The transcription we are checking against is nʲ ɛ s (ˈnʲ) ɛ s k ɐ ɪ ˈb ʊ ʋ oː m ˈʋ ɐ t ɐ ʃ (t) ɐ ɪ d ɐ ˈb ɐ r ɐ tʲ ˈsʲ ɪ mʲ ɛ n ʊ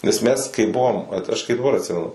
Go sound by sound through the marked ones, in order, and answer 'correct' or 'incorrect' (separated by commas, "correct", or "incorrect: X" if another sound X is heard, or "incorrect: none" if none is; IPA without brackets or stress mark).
incorrect: mʲ, incorrect: k